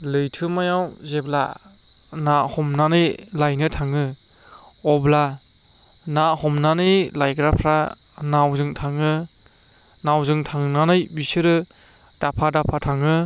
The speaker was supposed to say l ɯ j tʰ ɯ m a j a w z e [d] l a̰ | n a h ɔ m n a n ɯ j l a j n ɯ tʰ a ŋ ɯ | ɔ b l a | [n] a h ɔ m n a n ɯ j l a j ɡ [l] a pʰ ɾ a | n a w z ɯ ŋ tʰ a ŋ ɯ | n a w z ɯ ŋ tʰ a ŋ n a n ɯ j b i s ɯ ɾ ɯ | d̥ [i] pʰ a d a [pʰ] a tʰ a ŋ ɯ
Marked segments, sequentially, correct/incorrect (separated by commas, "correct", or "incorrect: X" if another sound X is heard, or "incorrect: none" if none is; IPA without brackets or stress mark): incorrect: b, correct, incorrect: ɾ, incorrect: a, correct